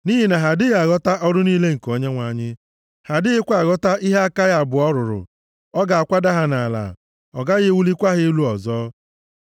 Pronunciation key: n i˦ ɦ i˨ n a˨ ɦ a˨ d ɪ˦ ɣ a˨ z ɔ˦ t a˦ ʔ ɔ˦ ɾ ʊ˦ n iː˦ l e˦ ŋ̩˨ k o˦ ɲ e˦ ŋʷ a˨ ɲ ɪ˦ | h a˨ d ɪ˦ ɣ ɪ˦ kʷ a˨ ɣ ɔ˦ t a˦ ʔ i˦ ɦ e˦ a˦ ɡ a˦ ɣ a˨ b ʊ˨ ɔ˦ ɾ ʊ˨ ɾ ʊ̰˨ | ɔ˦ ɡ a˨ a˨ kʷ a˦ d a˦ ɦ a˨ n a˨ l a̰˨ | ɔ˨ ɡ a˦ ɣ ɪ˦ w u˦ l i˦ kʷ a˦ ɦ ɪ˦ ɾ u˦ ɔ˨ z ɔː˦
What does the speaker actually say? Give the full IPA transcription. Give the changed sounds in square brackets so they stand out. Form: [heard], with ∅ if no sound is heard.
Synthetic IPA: n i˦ ɦ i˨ n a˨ ɦ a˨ d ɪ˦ ɣ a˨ [ɣ] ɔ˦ t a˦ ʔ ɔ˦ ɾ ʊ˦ n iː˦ l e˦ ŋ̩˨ k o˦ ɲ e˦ ŋʷ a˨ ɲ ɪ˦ | h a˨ d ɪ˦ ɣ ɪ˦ kʷ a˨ ɣ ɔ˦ t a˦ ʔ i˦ ɦ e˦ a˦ [k] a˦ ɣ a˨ b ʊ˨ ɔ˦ ɾ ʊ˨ ɾ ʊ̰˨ | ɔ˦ ɡ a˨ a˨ kʷ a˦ d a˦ ɦ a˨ n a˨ l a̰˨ | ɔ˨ ɡ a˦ ɣ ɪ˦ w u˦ l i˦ kʷ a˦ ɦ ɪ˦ [l] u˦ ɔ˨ z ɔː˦